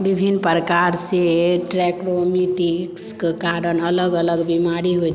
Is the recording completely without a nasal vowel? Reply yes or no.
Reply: yes